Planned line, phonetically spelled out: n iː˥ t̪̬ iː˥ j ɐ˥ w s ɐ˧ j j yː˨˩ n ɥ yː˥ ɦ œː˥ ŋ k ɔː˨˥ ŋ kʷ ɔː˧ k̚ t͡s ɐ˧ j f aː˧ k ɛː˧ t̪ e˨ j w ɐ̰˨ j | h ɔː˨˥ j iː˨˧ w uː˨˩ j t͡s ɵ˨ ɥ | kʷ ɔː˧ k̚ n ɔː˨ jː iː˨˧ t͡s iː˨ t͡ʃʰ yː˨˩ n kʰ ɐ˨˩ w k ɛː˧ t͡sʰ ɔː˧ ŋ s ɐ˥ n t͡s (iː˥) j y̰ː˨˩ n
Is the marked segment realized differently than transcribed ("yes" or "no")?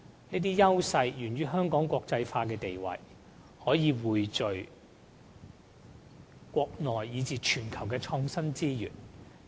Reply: no